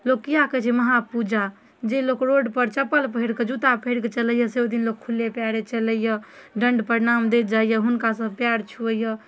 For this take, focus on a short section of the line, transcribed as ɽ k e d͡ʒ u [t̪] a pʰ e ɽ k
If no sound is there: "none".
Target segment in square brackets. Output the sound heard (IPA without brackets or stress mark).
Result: t̪